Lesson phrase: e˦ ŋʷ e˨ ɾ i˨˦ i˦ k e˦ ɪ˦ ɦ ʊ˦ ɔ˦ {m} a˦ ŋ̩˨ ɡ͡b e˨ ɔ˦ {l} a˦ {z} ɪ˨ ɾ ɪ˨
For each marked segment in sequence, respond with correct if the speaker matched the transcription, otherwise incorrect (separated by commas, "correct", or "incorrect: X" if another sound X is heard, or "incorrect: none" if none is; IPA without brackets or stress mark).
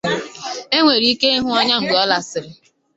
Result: incorrect: ɲ, correct, incorrect: s